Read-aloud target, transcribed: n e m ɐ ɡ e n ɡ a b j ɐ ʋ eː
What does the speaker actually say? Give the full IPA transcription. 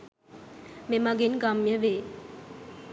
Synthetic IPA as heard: m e m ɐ ɡ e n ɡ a m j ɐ ʋ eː